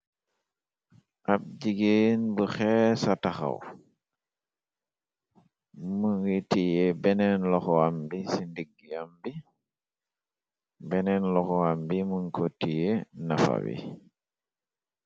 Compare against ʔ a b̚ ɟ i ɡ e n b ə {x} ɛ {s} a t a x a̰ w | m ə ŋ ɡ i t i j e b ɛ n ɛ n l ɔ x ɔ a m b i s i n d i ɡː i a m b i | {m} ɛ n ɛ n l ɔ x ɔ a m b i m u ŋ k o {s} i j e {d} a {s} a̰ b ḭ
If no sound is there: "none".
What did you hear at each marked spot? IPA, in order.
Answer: x, s, b, t, n, f

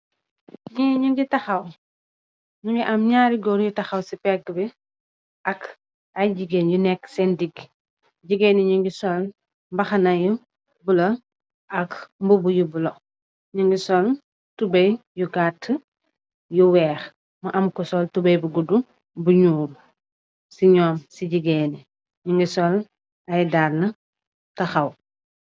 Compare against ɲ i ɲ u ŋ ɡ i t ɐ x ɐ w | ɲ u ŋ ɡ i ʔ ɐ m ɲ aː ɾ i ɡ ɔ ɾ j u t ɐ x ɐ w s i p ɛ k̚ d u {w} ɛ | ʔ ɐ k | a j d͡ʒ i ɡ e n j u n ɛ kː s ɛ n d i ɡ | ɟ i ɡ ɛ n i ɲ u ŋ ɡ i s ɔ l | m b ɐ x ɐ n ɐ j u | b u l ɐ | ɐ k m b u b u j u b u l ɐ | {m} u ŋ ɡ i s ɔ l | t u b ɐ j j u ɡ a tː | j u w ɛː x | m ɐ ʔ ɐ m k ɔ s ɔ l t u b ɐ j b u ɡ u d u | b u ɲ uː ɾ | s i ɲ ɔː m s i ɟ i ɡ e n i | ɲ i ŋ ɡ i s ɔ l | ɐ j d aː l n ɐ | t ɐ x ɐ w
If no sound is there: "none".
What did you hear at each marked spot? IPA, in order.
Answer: b, ɲ

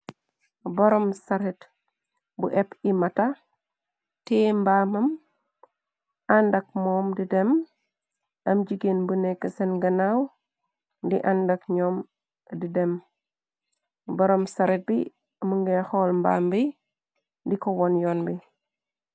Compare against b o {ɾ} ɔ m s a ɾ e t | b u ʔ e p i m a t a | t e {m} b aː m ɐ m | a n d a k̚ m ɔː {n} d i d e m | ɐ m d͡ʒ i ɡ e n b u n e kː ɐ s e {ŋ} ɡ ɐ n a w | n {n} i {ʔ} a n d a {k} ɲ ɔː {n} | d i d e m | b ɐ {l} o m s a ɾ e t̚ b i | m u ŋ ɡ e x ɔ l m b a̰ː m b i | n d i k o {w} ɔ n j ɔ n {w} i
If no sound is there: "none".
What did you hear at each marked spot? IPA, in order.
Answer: ɾ, m, m, n, d, ʔ, k, m, ɾ, w, b

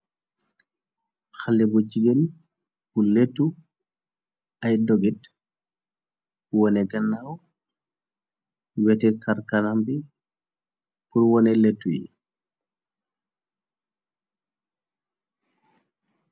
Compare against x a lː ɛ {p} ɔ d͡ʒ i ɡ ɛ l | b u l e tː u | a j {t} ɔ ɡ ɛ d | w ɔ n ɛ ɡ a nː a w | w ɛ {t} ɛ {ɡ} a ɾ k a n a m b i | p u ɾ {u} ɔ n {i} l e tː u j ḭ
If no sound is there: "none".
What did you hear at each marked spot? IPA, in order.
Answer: b, d, t, k, w, ɛ

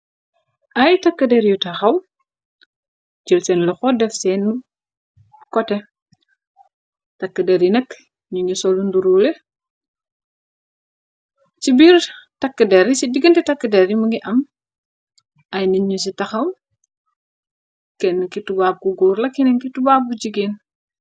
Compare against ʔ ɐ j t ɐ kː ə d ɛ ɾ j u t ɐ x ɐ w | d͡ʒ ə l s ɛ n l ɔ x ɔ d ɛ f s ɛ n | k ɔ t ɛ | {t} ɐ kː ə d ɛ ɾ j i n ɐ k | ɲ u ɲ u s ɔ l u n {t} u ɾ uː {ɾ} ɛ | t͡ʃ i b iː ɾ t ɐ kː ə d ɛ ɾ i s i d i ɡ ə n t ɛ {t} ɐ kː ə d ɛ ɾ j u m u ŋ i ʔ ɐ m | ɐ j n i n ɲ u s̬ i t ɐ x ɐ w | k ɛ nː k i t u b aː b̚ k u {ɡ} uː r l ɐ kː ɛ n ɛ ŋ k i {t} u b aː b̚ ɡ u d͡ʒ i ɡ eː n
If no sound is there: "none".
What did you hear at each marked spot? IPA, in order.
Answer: t, d, l, t, ɡ, t

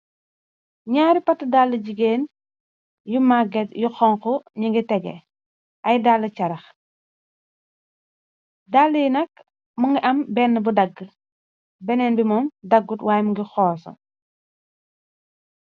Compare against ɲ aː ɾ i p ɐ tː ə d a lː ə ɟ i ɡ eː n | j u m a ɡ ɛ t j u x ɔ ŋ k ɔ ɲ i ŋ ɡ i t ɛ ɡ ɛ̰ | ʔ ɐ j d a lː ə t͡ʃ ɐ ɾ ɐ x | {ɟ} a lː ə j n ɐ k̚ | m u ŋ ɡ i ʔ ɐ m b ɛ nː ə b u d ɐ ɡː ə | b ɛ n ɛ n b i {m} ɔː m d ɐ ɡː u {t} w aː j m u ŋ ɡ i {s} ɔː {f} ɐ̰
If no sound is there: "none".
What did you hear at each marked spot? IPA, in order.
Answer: d, m, t, x, s

